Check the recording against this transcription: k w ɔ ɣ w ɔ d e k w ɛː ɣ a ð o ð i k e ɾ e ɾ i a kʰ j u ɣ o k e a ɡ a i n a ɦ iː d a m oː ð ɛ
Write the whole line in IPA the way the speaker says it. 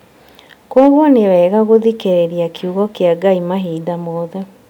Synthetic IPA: k w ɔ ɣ w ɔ n e w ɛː ɣ a ɣ o ð i k e ɾ e ɾ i a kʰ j u ɣ ɔ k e a ɡ a i m a ɦ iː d a m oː ð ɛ

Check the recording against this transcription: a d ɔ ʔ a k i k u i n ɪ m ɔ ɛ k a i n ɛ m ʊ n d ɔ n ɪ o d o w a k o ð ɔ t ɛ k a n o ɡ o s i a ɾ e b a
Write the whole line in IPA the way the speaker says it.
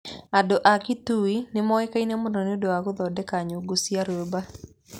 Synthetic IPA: a d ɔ ʔ a k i t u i n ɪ m ɔ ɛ k a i n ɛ m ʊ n d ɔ n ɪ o d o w a k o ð ɔ d ɛ k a ɲ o ɡ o s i a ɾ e b a

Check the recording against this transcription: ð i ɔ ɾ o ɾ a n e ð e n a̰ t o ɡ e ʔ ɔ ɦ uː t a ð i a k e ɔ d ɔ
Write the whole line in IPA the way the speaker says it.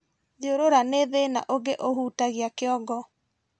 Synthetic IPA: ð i o ɾ o ɾ a n e ð e n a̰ ʔ o ɡ e ʔ o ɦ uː t a ɣ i a k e ɔ ɡ ɔ

